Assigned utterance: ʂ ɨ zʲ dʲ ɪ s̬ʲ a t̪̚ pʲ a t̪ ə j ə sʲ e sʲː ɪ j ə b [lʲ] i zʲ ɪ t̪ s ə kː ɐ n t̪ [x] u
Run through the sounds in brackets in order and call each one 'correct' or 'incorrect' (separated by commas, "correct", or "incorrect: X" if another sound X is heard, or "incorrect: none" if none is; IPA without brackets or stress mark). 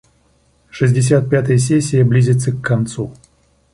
correct, incorrect: s